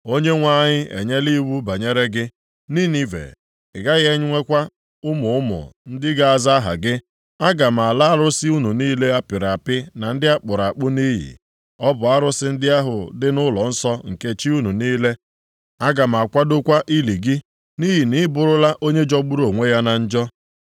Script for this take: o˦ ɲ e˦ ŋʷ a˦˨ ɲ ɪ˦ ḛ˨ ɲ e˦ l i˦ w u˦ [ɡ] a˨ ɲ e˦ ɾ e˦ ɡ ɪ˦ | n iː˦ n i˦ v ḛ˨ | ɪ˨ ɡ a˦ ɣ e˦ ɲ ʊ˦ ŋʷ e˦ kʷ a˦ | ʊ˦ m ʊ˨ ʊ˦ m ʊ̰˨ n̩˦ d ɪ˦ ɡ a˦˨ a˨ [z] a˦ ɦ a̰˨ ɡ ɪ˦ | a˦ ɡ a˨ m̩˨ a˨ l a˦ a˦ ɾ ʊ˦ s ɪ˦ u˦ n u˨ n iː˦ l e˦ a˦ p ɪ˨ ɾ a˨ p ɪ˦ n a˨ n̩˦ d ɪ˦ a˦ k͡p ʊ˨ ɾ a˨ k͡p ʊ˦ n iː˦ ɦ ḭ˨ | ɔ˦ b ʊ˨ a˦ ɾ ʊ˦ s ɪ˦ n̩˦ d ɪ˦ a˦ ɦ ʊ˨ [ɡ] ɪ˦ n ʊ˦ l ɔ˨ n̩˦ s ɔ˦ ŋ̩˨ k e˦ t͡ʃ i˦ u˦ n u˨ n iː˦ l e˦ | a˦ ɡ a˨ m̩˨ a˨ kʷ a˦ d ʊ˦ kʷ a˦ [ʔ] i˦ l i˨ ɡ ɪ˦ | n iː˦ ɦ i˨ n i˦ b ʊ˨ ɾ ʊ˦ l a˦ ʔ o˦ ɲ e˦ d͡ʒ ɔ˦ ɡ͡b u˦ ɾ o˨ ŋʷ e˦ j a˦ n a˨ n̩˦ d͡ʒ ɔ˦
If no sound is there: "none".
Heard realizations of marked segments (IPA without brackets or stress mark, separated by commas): b, z, d, ʔ